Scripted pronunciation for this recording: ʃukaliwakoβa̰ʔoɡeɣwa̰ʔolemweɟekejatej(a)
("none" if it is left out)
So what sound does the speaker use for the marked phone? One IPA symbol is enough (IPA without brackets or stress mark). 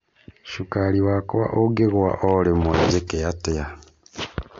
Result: a